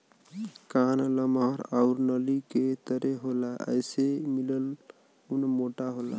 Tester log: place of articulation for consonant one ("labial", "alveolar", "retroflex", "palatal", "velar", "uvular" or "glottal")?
velar